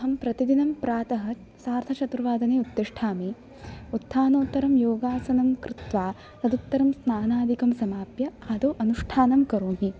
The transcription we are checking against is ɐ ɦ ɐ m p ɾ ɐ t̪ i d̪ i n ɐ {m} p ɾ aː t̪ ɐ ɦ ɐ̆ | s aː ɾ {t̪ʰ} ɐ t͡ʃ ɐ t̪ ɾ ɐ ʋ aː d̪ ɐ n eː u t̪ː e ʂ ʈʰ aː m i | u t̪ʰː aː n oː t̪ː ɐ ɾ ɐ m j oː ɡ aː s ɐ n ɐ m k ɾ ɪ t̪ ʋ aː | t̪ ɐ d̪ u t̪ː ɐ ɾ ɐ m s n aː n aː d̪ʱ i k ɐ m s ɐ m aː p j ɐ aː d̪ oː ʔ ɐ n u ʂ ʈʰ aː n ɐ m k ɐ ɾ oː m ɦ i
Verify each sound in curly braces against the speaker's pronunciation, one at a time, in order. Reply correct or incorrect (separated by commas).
correct, correct